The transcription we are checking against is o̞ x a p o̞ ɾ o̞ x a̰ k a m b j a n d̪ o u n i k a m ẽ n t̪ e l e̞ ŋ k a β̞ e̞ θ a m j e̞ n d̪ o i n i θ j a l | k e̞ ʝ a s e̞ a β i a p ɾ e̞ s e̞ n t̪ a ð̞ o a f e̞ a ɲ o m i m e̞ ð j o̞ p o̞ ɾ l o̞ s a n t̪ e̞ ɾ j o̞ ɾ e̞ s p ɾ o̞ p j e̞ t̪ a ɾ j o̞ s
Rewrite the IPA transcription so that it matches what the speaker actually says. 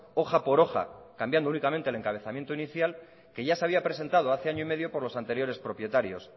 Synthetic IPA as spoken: o̞ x a p o̞ ɾ o̞ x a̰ k a m b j a n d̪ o u n i k a m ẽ n t̪ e l e̞ ŋ k a β̞ e̞ θ a m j e̞ n t̪ o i n i θ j a l | k e̞ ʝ a s e̞ a β i a p ɾ e̞ s e̞ n t̪ a ð̞ o a θ e̞ a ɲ o i m e̞ ð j o̞ p o̞ ɾ l o̞ s a n t̪ e̞ ɾ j o̞ ɾ e̞ s p ɾ o̞ p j e̞ t̪ a ɾ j o̞ s